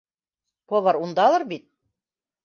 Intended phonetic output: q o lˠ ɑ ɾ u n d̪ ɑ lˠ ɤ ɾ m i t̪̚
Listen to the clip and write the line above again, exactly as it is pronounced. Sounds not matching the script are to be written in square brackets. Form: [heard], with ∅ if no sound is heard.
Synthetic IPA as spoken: [p] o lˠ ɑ ɾ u n d̪ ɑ lˠ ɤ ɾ [b] i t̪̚